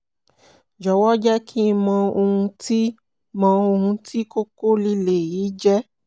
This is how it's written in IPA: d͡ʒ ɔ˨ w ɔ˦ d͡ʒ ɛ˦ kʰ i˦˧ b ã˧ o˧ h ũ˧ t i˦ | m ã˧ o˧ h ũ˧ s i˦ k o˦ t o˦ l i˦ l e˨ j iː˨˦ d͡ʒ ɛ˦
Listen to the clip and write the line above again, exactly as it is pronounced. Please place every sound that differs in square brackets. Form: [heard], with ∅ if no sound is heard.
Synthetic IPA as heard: d͡ʒ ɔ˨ w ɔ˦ d͡ʒ ɛ˦ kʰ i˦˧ [m] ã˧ o˧ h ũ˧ t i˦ | m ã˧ o˧ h ũ˧ [t] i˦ k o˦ [k] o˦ l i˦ l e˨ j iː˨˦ d͡ʒ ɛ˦